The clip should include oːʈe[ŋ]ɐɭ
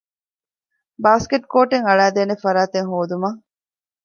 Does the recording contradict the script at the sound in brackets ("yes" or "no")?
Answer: no